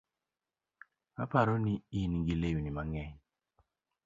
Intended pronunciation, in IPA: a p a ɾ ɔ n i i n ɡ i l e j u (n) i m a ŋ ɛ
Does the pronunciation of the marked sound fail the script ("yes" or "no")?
no